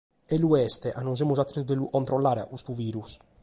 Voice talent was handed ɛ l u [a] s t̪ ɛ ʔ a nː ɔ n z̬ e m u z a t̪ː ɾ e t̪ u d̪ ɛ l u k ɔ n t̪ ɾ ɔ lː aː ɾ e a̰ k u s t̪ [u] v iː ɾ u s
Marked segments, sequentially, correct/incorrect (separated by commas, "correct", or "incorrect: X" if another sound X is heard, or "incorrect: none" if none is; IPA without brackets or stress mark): incorrect: ɛ, correct